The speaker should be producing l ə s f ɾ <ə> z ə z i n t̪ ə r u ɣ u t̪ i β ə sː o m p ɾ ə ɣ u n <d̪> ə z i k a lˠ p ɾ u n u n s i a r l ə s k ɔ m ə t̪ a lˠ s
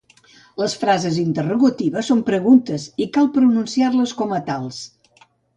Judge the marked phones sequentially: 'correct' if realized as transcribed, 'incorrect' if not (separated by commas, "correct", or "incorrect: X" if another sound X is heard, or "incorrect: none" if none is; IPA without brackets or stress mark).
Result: incorrect: a, incorrect: t̪